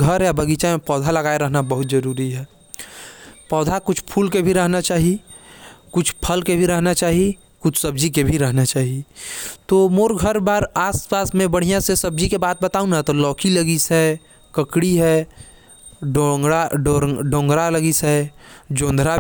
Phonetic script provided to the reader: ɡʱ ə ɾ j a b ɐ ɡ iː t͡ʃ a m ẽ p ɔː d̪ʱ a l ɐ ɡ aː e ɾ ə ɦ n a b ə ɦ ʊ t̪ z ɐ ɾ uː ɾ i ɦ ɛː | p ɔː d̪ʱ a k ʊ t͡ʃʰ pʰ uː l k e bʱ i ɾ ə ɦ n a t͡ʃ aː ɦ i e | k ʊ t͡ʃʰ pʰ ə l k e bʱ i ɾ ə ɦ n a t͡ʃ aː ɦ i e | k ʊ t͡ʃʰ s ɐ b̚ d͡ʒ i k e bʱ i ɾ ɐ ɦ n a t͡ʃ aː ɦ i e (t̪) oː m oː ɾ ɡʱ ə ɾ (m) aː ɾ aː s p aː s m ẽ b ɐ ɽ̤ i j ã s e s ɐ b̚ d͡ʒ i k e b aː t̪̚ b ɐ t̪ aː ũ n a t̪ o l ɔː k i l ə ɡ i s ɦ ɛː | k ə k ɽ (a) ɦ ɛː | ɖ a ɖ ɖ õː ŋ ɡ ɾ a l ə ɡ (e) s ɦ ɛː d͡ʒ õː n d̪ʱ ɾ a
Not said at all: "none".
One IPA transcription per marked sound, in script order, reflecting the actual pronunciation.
t̪, b, i, i

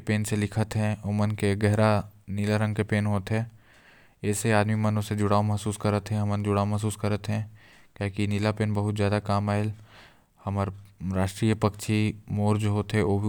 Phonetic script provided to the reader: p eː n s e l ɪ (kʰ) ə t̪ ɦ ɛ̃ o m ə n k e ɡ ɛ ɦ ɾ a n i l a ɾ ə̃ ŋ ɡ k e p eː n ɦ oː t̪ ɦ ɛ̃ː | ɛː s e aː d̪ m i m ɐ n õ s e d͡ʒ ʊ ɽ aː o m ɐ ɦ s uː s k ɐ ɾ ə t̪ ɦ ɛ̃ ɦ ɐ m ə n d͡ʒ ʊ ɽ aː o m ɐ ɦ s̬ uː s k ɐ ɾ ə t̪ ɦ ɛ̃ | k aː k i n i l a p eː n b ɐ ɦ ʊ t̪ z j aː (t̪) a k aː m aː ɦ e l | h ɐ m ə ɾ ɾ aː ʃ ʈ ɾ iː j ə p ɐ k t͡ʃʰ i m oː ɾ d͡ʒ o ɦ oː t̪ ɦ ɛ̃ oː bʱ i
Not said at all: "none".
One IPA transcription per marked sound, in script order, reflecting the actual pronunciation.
kʰ, d̪

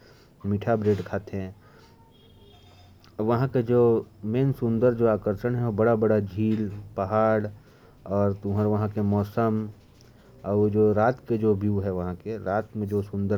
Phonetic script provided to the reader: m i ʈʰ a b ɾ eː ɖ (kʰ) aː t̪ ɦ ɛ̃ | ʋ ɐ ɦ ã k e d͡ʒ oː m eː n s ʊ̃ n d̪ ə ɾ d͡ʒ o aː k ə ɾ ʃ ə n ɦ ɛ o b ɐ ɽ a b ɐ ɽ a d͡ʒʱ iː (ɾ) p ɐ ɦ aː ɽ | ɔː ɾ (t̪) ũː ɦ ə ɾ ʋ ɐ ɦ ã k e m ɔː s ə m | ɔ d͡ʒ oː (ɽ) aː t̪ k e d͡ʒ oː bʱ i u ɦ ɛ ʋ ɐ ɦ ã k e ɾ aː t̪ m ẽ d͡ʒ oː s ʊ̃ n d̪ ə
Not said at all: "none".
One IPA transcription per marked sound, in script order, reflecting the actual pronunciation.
kʰ, l, t̪, ɾ

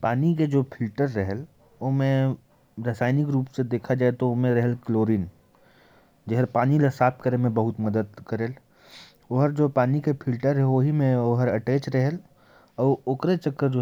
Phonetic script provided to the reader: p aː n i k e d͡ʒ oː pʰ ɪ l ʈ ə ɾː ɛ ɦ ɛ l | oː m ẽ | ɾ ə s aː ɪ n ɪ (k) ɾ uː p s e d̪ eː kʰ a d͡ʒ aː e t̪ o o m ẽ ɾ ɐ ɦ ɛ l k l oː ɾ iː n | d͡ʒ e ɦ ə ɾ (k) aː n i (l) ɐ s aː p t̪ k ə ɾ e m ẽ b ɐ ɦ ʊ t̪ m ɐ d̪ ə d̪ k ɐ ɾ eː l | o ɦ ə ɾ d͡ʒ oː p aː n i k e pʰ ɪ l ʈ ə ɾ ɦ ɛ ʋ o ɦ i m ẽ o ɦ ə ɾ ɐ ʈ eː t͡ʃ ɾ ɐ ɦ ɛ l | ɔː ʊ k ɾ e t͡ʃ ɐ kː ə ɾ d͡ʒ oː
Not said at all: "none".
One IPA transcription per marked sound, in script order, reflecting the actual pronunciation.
k, p, l

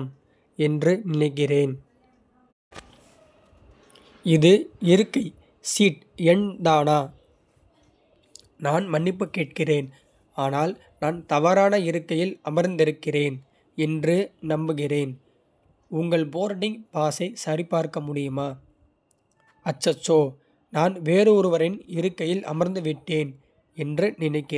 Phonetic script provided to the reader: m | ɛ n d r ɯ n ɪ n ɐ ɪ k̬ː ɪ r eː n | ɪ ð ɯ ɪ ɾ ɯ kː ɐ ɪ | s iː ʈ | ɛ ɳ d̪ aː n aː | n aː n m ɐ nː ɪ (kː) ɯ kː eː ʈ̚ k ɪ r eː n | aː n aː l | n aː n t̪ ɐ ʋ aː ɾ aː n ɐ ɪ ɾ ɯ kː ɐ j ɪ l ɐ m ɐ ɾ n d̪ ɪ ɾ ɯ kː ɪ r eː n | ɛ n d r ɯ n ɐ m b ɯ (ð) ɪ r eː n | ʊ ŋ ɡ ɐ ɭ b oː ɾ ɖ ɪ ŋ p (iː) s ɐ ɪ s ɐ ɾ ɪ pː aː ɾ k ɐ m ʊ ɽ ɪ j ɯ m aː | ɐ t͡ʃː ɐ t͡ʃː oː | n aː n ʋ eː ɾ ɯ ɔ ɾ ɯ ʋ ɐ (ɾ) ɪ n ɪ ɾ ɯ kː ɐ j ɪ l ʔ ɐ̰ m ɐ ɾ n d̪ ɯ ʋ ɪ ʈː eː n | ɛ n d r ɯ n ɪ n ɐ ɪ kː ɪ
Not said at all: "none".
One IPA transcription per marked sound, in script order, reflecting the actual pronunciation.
pː, ɣ, aː, ɾ

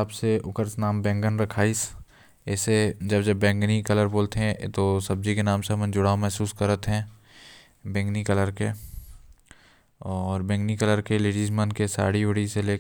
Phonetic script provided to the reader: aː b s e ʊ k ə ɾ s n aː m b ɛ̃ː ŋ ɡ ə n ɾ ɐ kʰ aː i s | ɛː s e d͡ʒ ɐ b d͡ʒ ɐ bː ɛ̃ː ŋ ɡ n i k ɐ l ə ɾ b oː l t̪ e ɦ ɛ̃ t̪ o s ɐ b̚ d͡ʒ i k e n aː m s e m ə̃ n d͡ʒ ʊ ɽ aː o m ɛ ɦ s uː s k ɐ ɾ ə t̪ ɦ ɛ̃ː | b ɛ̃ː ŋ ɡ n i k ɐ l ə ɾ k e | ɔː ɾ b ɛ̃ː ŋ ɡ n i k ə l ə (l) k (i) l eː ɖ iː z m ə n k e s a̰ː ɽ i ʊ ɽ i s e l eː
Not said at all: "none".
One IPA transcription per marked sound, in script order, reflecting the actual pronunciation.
ɾ, e

